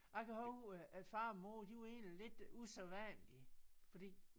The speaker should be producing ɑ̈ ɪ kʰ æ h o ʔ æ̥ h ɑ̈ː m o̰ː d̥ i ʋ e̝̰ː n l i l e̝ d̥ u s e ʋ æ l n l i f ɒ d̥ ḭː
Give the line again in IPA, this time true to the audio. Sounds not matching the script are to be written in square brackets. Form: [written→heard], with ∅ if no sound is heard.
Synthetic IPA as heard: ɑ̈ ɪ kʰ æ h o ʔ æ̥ [h→f] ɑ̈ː m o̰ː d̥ i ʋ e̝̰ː n l i l e̝ d̥ u s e ʋ æ [l→∅] n l i f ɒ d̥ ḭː